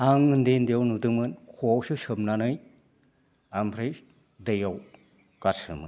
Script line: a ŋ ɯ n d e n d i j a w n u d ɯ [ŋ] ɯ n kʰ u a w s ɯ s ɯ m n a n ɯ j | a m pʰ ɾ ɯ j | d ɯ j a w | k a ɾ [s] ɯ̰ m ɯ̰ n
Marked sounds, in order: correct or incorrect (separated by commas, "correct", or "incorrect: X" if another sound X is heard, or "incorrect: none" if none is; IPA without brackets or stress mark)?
incorrect: m, correct